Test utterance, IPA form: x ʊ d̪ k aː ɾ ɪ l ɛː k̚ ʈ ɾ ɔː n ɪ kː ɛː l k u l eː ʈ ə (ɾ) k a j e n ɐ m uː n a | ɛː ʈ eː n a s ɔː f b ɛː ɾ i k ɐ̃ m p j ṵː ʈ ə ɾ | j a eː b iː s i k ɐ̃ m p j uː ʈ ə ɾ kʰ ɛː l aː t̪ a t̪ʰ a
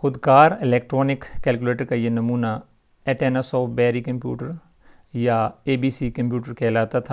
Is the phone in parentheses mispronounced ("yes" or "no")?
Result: no